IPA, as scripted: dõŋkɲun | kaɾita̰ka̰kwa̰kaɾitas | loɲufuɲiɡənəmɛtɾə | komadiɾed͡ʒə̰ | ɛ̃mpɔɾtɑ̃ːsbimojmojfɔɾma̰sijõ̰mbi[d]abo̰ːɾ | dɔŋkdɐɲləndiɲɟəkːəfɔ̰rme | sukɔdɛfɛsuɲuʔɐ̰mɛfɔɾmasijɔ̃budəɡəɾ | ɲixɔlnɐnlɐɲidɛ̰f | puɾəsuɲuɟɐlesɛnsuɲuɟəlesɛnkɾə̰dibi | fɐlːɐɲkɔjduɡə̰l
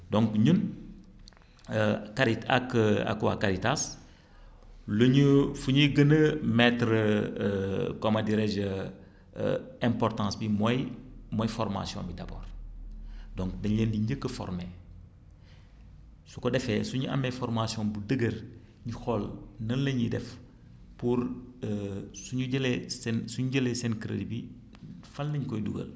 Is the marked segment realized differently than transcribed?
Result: no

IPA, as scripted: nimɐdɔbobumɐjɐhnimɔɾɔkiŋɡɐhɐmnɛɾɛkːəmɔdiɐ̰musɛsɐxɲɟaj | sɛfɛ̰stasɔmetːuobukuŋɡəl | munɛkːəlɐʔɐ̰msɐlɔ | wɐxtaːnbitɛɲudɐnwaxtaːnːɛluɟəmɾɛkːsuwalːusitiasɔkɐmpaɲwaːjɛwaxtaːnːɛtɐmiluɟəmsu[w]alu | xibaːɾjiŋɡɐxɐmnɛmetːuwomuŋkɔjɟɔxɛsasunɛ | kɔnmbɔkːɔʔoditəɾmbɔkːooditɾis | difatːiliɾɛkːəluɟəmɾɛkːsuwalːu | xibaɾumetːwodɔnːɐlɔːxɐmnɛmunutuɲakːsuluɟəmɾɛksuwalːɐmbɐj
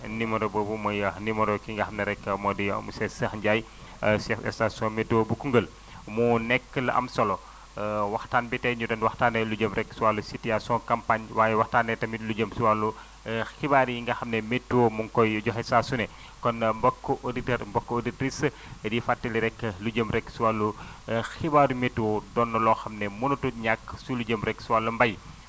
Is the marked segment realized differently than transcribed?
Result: no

